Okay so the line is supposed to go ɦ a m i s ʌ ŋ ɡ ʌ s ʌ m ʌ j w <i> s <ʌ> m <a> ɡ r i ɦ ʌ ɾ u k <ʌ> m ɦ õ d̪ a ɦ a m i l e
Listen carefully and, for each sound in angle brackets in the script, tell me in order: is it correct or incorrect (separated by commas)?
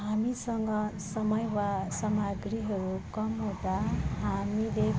incorrect, correct, correct, correct